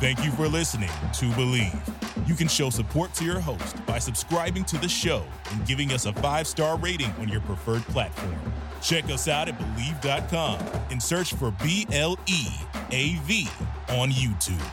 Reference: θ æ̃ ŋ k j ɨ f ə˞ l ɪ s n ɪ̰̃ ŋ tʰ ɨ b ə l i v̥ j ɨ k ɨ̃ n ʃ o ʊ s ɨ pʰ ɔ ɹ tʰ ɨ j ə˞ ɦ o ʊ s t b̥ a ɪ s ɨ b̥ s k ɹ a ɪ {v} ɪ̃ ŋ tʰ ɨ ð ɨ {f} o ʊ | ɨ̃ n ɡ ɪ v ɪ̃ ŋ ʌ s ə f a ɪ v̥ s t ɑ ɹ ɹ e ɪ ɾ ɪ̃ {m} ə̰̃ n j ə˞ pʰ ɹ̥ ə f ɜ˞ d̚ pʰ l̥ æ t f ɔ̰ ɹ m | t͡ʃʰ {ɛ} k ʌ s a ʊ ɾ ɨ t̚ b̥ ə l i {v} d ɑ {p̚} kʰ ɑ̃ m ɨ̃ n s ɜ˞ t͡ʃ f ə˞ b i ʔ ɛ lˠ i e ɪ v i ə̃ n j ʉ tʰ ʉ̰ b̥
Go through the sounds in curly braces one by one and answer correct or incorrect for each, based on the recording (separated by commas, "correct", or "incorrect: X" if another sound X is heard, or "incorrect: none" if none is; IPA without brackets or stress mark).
incorrect: b, incorrect: ʃ, incorrect: ŋ, correct, correct, incorrect: t̚